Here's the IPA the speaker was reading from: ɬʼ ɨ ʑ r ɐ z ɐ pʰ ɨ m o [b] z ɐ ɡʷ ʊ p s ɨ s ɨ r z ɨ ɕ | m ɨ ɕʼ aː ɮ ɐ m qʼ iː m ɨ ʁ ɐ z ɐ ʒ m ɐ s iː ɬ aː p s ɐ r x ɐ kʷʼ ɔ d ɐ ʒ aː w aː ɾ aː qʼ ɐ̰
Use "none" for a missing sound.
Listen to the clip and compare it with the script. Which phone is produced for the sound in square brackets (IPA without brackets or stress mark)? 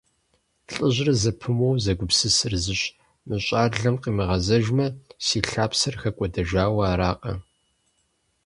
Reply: w